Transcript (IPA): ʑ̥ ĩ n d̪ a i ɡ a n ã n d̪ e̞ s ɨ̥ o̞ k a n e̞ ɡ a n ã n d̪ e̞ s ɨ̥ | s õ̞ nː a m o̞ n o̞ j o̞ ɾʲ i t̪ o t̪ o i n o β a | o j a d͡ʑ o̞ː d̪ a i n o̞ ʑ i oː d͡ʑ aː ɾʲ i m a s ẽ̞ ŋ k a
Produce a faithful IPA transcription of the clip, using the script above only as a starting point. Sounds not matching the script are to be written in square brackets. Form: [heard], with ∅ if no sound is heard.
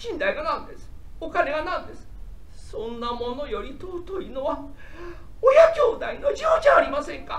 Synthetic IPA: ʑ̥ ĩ n d̪ a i ɡ a n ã n d̪ e̞ s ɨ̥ o̞ k a n e̞ ɡ a n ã n d̪ e̞ s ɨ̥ | s õ̞ nː a m o̞ n o̞ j o̞ ɾʲ i t̪ o t̪ o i n o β a | o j a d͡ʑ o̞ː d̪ a i n o̞ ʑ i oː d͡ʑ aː ɾʲ i m a s ẽ̞ ŋ k a